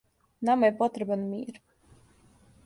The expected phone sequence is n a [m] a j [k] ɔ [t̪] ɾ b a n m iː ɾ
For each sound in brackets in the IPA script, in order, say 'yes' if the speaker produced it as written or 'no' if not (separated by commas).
yes, no, yes